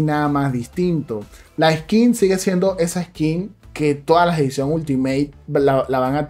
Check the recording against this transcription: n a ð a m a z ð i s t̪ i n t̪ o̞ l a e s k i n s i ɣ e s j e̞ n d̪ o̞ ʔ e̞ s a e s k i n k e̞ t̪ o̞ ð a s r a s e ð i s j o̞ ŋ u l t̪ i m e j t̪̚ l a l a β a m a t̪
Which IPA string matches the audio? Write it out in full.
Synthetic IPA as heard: n a ð a m a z ð i s t̪ i n t̪ o̞ l a e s k i n s i ɣ e s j e̞ n d̪ o̞ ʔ e̞ s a e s k i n k e̞ t̪ o̞ ð a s l a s e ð i s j o̞ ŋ u l t̪ i m e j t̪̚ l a l a β a ŋ a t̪